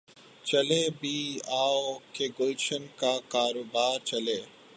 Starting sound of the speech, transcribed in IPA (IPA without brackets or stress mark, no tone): t͡ʃ